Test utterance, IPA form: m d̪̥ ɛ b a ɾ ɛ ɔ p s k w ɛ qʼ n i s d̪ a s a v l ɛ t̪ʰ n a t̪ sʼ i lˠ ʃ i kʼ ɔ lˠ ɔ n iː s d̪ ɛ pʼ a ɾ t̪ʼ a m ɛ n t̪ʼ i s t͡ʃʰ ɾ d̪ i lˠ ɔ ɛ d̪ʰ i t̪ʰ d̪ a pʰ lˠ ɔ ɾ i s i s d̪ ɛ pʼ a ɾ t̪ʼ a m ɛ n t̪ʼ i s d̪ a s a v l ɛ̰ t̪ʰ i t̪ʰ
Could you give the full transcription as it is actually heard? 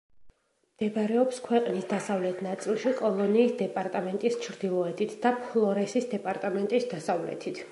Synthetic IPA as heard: m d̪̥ ɛ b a ɾ ɛ ɔ p s kʰ w ɛ qʼ n i s d̪ a s a v l ɛ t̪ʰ n a t̪ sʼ i lˠ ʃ i kʼ ɔ lˠ ɔ n iː s d̪ ɛ pʼ a ɾ t̪ʼ a m ɛ n t̪ʼ i s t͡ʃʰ ɾ d̪ i lˠ ɔ ɛ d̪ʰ i t̪ʰ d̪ a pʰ lˠ ɔ ɾ ɛ s i s d̪ ɛ pʼ a ɾ t̪ʼ a m ɛ n t̪ʼ i s d̪ a s a v l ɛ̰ t̪ʰ i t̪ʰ